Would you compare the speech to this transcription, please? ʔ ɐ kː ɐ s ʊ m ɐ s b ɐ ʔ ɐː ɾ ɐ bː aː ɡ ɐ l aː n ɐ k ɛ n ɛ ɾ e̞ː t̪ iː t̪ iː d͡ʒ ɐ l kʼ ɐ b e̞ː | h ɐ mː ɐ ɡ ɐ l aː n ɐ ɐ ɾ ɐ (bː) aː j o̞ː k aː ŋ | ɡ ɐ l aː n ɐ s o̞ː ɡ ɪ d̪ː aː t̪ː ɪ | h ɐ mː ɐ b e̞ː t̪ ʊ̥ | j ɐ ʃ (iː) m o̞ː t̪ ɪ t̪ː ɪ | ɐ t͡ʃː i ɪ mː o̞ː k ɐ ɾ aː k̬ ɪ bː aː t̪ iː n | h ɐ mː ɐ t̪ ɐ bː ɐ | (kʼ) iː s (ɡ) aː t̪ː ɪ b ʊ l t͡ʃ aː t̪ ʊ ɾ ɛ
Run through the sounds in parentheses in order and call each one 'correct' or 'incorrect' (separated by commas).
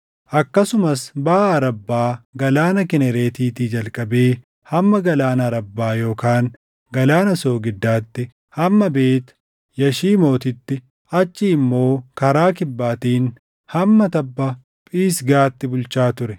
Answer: correct, correct, incorrect, correct